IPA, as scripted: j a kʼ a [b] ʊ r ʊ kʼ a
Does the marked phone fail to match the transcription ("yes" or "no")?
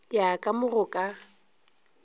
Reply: yes